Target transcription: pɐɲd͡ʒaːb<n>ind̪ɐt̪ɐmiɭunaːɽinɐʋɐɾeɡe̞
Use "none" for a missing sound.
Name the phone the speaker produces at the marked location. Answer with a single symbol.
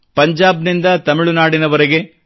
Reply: n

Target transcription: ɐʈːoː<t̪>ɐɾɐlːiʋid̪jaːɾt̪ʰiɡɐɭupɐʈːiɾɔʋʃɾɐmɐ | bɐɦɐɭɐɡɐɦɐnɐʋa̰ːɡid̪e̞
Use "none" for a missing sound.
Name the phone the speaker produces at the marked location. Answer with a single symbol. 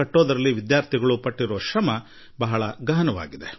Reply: d̪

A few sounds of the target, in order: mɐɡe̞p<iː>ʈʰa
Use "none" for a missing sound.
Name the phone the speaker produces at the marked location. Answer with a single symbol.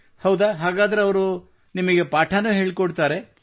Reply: aː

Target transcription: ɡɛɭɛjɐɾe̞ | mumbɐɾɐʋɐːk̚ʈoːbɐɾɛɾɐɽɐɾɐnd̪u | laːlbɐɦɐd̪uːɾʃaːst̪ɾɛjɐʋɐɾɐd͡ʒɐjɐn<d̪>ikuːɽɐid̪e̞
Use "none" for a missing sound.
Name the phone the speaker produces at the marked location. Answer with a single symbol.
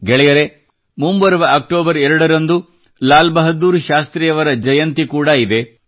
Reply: t̪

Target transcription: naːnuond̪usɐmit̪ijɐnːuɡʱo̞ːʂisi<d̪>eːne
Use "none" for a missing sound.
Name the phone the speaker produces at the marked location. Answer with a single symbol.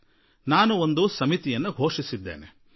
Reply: d̪ː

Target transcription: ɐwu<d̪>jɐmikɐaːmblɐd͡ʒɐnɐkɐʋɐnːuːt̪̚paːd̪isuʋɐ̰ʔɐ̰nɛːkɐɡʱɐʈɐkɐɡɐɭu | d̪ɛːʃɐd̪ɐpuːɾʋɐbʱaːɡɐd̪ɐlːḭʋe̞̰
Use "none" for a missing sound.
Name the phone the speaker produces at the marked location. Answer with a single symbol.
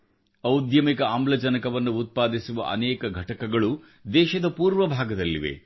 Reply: d̪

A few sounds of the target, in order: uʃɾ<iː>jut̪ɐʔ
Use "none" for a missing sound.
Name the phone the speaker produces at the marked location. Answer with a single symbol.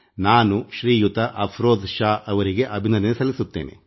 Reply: iː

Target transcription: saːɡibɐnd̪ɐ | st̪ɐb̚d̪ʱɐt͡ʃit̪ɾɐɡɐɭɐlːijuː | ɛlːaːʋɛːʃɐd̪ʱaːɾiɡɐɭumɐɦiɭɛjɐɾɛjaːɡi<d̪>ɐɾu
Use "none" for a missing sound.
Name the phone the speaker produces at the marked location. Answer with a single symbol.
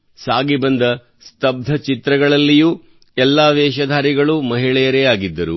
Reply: d̪ː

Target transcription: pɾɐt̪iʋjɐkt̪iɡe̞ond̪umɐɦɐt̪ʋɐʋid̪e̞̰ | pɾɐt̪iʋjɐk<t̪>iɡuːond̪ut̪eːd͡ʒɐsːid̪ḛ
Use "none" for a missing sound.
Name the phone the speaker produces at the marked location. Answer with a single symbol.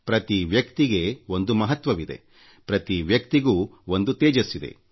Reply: t̪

